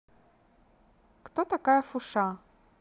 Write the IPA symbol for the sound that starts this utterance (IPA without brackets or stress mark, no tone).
k